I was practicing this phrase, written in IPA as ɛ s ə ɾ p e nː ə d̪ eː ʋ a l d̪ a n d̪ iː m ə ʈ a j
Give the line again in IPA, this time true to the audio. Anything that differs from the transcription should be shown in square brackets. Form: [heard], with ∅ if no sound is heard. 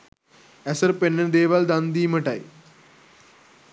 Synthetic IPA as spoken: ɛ s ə ɾ p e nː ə d̪ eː ʋ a l d̪ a n d̪ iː m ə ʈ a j